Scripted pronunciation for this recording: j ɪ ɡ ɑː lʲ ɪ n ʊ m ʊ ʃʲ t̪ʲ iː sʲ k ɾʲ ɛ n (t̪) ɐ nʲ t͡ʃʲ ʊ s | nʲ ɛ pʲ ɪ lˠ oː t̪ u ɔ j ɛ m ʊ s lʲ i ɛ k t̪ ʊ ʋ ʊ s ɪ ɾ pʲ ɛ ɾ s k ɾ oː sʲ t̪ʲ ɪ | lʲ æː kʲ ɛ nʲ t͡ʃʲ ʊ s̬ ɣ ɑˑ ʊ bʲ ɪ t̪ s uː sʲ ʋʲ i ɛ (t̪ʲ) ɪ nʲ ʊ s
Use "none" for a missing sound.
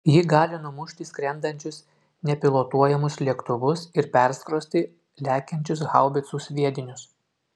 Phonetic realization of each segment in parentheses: d̪, d̪ʲ

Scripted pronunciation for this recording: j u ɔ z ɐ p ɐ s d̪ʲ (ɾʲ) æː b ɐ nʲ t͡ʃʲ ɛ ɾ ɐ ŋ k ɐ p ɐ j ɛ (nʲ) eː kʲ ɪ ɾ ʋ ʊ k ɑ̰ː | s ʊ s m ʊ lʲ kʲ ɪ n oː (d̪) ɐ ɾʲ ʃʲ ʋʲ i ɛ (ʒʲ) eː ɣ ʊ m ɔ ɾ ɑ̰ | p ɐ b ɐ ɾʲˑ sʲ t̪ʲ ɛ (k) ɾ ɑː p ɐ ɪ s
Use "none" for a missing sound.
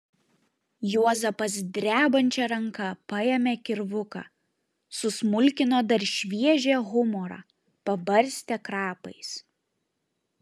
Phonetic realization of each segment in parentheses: ɾʲ, mʲ, d̪, ʒʲ, k

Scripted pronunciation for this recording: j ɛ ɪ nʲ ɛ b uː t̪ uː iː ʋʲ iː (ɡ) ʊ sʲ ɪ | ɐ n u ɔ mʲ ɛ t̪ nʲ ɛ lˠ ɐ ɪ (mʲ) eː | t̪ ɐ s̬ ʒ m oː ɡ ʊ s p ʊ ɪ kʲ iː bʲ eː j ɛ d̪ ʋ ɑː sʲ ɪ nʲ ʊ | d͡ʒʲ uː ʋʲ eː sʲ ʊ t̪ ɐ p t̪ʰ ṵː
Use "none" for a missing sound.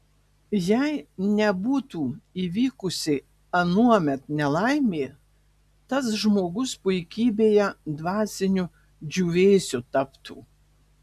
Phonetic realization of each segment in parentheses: k, mʲ

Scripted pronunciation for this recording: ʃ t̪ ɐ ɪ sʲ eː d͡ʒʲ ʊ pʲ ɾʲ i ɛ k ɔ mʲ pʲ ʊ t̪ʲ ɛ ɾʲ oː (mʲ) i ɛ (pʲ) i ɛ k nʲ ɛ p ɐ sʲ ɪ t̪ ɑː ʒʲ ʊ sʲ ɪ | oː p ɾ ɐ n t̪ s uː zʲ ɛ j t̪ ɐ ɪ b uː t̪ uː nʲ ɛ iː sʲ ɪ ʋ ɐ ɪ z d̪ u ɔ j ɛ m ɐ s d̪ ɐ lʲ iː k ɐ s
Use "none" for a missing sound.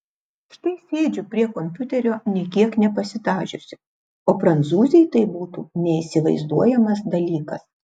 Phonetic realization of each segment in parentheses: nʲ, kʲ

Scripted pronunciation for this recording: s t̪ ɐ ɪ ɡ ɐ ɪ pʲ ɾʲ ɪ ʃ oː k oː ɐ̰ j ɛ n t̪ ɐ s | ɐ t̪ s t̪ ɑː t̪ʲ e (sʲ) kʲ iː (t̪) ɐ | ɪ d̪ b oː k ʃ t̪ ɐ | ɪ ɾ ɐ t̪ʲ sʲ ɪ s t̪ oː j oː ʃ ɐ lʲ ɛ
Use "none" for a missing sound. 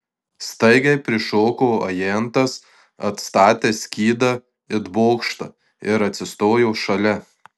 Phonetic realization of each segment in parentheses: sʲ, d̪

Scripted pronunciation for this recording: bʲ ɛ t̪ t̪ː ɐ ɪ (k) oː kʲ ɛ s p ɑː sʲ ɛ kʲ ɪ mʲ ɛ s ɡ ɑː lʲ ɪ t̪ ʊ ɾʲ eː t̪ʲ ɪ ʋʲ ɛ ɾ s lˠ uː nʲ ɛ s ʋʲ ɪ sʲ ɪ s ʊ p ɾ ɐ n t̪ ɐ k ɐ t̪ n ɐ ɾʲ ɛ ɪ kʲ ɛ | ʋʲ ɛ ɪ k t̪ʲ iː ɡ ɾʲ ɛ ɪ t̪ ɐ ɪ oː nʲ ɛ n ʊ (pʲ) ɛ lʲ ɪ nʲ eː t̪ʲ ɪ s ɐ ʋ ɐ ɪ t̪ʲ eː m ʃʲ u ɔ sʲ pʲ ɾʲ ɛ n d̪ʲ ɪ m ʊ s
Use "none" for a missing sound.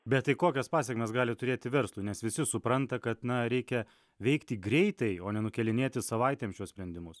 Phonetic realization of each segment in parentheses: k, kʲ

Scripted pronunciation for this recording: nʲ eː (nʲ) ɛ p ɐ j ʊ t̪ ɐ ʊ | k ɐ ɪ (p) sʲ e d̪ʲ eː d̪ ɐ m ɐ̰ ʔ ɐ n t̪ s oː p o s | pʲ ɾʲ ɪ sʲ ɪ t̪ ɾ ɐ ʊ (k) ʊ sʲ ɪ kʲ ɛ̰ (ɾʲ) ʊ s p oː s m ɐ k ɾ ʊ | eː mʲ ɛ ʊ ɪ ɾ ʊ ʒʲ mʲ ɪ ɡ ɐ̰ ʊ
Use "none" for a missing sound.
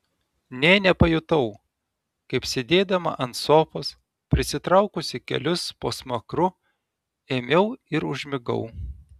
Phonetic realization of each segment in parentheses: nʲ, p, k, lʲ

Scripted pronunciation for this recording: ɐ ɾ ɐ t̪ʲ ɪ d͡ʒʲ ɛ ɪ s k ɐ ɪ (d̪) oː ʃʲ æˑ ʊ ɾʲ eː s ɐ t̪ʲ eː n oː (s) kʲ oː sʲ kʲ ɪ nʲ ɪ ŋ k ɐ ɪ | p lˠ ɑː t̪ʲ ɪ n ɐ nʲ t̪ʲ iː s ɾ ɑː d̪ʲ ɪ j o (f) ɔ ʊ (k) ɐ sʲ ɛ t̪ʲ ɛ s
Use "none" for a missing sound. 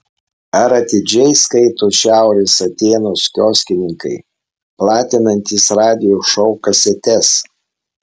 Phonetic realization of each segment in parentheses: t̪, s, ʃ, k

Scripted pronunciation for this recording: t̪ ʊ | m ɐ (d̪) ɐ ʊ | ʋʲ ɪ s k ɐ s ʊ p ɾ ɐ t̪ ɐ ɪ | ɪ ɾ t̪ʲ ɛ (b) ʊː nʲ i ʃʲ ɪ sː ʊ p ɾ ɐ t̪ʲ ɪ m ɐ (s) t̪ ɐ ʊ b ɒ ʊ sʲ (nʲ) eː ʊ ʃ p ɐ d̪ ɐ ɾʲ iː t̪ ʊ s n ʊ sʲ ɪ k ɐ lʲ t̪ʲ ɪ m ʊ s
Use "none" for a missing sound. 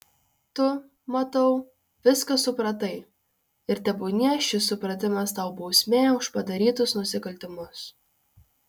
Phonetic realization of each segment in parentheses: t̪, b, s, mʲ

